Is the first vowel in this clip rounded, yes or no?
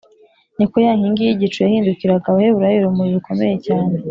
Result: no